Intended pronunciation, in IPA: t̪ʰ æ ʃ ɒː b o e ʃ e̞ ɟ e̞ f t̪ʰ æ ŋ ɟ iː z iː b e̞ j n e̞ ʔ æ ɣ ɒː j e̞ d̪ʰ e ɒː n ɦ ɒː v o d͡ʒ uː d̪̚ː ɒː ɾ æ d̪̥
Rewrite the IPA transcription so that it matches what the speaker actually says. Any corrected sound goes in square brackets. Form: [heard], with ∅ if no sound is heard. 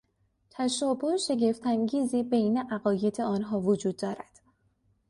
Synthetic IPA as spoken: t̪ʰ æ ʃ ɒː b o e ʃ e̞ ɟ e̞ f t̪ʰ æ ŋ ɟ iː z iː b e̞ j n e̞ ʔ æ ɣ ɒː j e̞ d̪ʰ e ɒː n ɦ ɒː v o d͡ʒ uː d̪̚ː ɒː ɾ æ d̪̥